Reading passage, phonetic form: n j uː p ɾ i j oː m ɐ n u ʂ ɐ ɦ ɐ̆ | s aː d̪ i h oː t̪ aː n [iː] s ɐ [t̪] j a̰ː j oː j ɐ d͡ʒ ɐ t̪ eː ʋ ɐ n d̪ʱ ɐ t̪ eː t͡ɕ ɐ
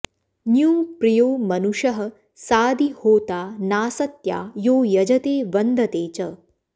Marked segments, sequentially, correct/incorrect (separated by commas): incorrect, correct